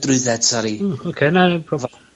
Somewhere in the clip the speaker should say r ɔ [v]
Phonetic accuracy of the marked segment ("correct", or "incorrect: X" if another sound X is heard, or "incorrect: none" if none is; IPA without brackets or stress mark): correct